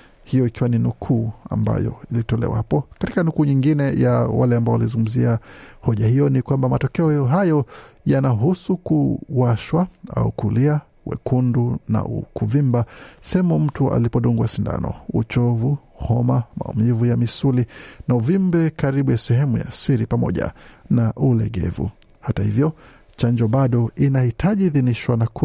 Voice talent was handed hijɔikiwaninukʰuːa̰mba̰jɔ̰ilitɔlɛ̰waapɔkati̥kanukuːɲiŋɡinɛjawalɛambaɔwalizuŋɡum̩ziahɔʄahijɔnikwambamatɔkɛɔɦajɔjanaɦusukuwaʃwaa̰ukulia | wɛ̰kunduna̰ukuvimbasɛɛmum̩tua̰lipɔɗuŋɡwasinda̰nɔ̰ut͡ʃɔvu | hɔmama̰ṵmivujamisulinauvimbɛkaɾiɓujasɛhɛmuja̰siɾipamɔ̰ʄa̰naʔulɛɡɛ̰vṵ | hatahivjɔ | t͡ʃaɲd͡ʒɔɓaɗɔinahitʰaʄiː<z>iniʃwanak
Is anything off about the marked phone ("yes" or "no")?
yes